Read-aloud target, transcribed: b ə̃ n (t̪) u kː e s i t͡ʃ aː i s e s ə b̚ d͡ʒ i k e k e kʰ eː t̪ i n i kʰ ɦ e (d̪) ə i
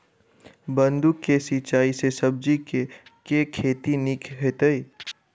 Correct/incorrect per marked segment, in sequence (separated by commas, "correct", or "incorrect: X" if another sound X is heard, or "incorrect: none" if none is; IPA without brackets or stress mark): incorrect: d̪, incorrect: t̪